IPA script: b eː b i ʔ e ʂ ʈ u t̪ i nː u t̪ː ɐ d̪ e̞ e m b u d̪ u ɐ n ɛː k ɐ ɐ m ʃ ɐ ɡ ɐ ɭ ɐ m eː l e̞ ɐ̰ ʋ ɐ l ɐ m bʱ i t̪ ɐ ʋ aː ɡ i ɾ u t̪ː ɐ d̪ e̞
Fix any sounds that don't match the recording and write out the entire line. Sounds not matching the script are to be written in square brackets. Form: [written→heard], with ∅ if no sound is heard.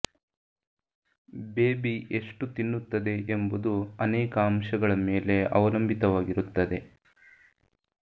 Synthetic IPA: b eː b i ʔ e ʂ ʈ u t̪ i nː u t̪ː ɐ d̪ e̞ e m b u d̪ u ɐ n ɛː k ɐ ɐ m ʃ ɐ ɡ ɐ ɭ ɐ m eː l e̞ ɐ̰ ʋ ɐ l ɐ m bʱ i t̪ ɐ ʋ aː ɡ i ɾ u t̪ː ɐ d̪ e̞

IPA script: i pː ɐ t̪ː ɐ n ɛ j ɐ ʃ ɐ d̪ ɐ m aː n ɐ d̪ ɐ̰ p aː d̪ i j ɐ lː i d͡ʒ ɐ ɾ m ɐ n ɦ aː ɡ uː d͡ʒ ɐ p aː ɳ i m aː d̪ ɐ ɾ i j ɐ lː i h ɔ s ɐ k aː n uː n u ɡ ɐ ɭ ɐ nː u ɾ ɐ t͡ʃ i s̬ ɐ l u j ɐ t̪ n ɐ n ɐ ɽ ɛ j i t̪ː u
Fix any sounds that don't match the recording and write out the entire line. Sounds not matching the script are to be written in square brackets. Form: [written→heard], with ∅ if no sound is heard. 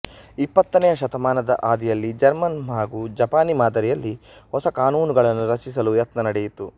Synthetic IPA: i pː ɐ t̪ː ɐ n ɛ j ɐ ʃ ɐ [d̪→t̪] ɐ m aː n ɐ d̪ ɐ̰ [p→ʔ] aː d̪ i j ɐ lː i d͡ʒ ɐ ɾ m ɐ n ɦ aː ɡ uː d͡ʒ ɐ p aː [ɳ→n] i m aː d̪ ɐ ɾ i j ɐ lː i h ɔ s ɐ k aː n uː n u ɡ ɐ ɭ ɐ nː u ɾ ɐ t͡ʃ i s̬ ɐ l u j ɐ t̪ n ɐ n ɐ ɽ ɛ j i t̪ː u

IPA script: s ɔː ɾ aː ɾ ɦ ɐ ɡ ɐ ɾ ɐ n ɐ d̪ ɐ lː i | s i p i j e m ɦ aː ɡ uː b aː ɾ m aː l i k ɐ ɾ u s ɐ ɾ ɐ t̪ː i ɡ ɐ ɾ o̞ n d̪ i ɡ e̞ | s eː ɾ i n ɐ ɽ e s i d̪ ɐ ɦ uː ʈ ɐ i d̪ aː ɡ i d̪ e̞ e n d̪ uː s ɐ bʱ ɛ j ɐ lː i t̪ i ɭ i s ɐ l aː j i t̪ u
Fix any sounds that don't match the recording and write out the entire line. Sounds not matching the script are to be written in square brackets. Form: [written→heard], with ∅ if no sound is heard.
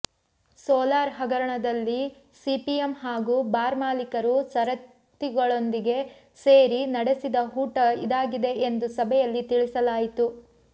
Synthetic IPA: s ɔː [ɾ→l] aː ɾ ɦ ɐ ɡ ɐ ɾ ɐ [n→ɳ] ɐ d̪ ɐ lː i | s i p i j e m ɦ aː ɡ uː b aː ɾ m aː l i k ɐ ɾ u s ɐ ɾ ɐ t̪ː i ɡ ɐ [ɾ→ɭ] o̞ n d̪ i ɡ e̞ | s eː ɾ i n ɐ ɽ e s i d̪ ɐ ɦ uː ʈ ɐ i d̪ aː ɡ i d̪ e̞ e n d̪ [uː→u] s ɐ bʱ ɛ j ɐ lː i t̪ i ɭ i s ɐ l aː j i t̪ u

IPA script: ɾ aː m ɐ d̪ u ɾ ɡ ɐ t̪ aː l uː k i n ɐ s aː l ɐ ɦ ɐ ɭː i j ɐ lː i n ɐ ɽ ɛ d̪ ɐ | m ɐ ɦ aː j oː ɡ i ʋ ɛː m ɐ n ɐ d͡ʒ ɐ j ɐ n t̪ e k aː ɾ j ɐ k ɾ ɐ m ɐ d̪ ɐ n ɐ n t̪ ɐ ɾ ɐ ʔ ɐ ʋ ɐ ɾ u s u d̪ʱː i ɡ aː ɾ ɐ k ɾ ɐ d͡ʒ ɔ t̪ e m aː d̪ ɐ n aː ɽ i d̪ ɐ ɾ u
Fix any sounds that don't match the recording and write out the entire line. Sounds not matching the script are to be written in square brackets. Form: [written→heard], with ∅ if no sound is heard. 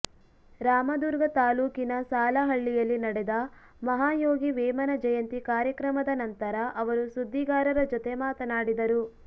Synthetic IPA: ɾ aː m ɐ d̪ u ɾ ɡ ɐ t̪ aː l uː k i n ɐ s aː l ɐ ɦ ɐ ɭː i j ɐ lː i n ɐ ɽ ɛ d̪ ɐ | m ɐ ɦ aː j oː ɡ i ʋ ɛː m ɐ n ɐ d͡ʒ ɐ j ɐ n t̪ [e→i] k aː ɾ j ɐ k ɾ ɐ m ɐ d̪ ɐ n ɐ n t̪ ɐ ɾ ɐ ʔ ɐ ʋ ɐ ɾ u s u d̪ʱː i ɡ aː ɾ ɐ [k→∅] ɾ ɐ d͡ʒ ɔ t̪ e m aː [d̪→t̪] ɐ n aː ɽ i d̪ ɐ ɾ u

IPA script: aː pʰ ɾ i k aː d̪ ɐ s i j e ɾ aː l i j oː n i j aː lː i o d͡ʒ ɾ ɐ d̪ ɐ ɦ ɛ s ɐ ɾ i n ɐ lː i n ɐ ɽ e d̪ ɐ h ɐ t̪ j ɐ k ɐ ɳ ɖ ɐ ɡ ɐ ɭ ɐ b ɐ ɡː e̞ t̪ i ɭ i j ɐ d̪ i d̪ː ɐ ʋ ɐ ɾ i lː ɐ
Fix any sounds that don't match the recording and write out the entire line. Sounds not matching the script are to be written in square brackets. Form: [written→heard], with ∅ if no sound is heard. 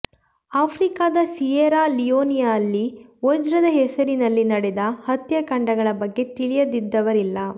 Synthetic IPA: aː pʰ ɾ i k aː d̪ ɐ s i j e ɾ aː l i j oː n i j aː lː i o d͡ʒ ɾ ɐ d̪ ɐ ɦ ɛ s ɐ ɾ i n ɐ lː i n ɐ ɽ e d̪ ɐ h ɐ t̪ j ɐ k ɐ ɳ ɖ ɐ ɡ ɐ ɭ ɐ b ɐ ɡː e̞ t̪ i ɭ i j ɐ d̪ i d̪ː ɐ ʋ ɐ ɾ i lː ɐ

